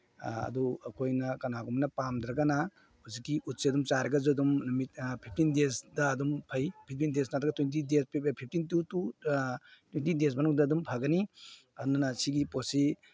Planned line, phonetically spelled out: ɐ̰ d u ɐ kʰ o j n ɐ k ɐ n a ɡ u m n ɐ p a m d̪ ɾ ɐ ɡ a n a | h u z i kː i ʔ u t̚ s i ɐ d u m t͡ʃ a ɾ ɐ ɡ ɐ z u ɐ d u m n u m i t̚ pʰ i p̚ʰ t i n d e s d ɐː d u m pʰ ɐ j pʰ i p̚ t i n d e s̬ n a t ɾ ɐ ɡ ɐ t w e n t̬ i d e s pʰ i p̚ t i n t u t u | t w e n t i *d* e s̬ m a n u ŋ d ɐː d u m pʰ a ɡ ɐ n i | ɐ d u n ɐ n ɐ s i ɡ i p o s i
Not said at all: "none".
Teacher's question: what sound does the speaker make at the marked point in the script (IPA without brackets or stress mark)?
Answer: d